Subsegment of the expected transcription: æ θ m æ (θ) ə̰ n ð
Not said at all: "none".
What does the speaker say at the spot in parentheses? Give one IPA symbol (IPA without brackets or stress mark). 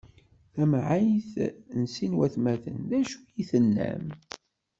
θ